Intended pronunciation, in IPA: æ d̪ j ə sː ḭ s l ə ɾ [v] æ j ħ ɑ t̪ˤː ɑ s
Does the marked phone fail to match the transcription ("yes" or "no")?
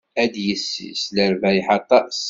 no